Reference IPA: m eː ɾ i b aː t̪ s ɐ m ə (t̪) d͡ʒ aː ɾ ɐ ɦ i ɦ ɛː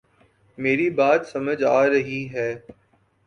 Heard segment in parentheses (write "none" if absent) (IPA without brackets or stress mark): none